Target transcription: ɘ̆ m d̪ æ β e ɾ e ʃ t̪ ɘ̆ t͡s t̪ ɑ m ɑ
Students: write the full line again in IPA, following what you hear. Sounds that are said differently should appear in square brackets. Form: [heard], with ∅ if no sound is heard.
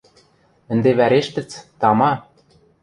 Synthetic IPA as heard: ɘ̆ [n] d̪ [e] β [æ] ɾ e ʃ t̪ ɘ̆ t͡s t̪ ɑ m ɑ